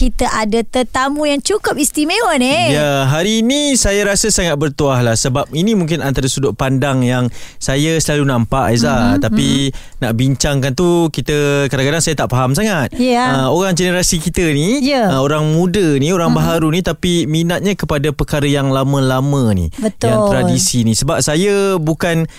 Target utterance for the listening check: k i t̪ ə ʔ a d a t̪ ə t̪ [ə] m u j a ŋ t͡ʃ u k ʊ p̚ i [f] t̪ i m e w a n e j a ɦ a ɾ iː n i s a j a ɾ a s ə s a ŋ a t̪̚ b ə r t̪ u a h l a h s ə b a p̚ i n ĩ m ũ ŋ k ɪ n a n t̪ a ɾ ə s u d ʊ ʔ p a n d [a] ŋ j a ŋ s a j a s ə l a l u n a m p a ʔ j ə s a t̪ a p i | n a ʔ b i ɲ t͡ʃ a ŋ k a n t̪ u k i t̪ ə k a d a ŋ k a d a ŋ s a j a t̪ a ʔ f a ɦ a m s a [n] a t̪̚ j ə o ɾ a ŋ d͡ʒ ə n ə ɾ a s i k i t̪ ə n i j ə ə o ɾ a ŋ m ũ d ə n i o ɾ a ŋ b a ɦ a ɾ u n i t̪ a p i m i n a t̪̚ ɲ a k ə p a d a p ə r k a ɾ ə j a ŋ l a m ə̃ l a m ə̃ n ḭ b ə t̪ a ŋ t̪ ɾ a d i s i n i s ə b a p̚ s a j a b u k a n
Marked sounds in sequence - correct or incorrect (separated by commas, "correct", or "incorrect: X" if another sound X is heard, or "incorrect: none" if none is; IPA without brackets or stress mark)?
incorrect: a, incorrect: s, correct, incorrect: ŋ